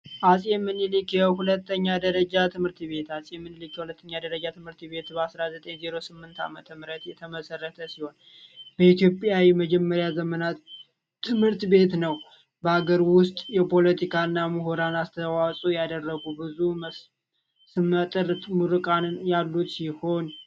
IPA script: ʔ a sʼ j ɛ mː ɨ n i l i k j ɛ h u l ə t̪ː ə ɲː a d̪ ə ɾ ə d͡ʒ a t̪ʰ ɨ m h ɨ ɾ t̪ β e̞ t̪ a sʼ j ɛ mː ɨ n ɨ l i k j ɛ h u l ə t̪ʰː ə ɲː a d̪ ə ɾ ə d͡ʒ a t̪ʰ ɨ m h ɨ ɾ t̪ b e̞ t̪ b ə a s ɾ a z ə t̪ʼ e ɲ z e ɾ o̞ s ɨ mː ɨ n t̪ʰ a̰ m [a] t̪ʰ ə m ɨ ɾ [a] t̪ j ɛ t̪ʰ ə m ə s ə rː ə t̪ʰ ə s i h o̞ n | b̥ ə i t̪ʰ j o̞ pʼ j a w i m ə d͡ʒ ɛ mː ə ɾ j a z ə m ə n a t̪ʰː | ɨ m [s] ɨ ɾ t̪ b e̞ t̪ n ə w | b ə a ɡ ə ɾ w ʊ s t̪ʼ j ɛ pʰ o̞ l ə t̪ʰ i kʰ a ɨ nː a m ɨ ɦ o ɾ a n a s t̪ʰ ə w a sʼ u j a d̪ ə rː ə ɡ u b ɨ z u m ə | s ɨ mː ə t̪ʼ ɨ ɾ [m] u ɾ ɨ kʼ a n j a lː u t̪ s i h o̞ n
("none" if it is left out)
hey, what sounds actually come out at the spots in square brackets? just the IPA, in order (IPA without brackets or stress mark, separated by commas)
ə, ə, h, m